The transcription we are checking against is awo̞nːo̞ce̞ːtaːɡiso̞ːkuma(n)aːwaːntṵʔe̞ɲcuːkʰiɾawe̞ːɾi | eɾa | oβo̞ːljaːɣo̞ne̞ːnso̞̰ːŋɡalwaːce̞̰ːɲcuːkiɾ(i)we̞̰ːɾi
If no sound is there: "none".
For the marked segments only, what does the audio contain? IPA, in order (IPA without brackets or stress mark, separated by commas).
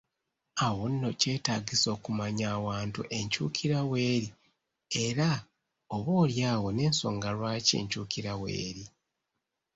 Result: ɲ, a